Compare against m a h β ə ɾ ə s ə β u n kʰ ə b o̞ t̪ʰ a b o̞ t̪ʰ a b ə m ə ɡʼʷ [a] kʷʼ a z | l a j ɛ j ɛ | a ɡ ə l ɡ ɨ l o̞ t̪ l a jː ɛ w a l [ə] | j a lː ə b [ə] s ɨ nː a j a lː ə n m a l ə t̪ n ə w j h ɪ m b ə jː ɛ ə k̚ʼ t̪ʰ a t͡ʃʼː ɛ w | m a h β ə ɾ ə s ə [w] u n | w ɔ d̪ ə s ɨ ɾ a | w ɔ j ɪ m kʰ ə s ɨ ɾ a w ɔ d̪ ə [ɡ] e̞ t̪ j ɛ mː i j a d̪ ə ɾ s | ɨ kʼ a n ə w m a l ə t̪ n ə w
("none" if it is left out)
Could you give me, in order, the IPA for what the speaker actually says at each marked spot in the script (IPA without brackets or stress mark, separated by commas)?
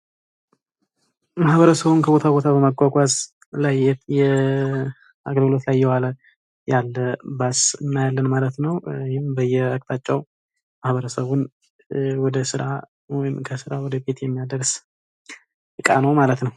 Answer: a, ə, a, β, b